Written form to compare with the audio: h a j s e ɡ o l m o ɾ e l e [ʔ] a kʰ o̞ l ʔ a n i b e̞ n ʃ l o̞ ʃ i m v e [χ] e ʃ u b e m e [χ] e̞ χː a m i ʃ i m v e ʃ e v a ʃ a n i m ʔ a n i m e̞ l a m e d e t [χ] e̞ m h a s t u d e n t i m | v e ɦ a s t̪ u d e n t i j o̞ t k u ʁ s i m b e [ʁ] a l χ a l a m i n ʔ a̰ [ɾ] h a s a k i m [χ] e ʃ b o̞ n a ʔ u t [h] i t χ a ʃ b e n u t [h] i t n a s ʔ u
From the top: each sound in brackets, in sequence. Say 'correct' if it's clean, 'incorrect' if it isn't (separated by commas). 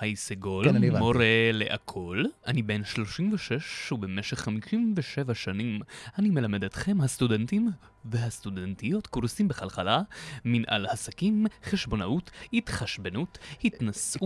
correct, incorrect, incorrect, correct, incorrect, incorrect, correct, correct, correct